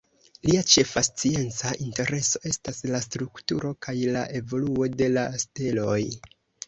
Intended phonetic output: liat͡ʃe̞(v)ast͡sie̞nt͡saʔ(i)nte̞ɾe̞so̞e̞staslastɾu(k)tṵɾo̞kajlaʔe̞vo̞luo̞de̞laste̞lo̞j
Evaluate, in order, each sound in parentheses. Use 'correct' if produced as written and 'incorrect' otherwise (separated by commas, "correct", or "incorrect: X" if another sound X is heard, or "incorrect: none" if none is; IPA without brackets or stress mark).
incorrect: f, correct, correct